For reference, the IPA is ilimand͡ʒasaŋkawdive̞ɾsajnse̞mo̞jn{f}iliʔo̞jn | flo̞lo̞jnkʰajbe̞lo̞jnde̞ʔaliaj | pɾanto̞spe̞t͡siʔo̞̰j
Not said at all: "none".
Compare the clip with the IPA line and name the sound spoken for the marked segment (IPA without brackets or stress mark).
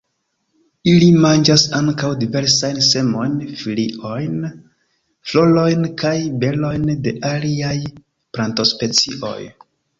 f